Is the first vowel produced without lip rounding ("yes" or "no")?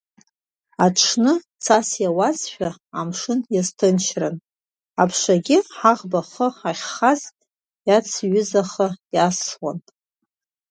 yes